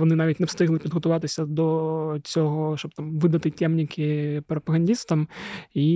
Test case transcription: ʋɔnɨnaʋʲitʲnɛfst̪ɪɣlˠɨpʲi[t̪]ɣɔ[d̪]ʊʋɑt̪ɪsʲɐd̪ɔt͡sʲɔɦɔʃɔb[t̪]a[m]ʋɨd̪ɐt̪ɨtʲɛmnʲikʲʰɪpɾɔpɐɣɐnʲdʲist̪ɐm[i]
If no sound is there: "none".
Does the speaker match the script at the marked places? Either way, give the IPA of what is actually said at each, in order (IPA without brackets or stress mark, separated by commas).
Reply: d̪, t̪, t̪, m, i